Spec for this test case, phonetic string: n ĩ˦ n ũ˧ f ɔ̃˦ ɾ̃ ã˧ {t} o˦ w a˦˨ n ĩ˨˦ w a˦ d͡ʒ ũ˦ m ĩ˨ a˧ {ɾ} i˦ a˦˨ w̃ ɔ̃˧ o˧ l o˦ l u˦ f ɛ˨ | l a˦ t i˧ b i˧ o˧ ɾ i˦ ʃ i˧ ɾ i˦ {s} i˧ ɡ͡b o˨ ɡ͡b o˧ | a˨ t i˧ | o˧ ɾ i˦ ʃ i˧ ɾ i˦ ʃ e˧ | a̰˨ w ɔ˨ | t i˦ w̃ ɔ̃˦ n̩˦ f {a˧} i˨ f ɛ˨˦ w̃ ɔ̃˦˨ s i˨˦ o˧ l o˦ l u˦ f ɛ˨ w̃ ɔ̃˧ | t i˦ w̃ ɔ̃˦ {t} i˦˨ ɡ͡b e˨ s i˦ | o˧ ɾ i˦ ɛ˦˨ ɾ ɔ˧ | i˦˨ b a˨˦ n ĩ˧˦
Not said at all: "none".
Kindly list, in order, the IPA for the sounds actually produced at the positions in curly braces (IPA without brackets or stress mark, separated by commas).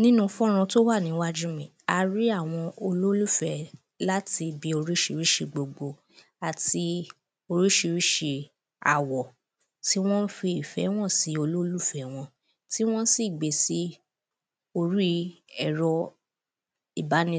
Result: t, ɾ, ʃ, i˧, s